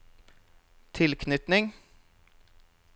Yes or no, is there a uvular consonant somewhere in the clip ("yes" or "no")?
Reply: no